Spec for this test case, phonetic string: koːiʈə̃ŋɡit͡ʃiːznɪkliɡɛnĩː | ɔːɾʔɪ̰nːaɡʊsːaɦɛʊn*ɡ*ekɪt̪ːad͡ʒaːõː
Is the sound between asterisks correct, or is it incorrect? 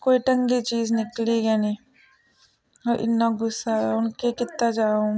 incorrect